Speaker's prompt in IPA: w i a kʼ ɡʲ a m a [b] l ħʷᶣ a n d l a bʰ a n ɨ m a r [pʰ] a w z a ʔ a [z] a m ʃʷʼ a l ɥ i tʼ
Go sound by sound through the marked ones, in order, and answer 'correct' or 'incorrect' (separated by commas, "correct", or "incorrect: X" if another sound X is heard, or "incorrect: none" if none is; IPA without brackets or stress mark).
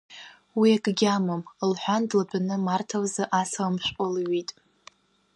incorrect: m, incorrect: tʰ, incorrect: s